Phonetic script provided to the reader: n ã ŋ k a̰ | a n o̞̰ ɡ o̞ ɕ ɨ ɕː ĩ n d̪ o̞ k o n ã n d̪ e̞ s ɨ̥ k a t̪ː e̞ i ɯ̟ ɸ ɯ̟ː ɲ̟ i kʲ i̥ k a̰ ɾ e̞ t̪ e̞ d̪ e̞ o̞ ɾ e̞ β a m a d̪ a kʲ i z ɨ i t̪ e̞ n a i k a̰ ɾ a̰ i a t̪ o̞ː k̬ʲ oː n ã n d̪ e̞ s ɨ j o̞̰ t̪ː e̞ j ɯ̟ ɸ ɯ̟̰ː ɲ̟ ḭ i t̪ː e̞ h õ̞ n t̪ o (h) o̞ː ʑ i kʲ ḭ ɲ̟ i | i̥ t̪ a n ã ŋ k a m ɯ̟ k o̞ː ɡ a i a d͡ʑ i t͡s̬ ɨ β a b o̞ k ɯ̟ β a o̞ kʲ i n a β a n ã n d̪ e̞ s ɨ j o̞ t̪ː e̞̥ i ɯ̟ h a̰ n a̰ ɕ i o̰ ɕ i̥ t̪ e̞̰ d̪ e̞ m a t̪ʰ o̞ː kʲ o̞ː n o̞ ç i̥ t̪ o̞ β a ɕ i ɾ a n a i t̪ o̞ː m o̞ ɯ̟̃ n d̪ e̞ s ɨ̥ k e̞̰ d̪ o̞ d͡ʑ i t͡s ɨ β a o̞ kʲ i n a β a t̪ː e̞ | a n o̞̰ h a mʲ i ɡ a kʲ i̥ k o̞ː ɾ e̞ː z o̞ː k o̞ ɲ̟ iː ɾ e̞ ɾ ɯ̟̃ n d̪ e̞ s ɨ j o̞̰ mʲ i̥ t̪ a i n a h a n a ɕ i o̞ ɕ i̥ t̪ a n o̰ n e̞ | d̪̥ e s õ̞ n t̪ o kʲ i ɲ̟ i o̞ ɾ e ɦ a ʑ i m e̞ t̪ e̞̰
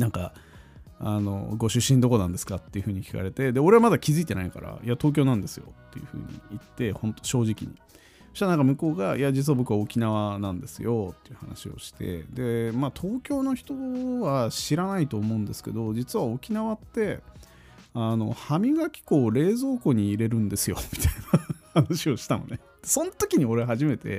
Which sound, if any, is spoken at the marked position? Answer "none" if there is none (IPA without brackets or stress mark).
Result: ɕ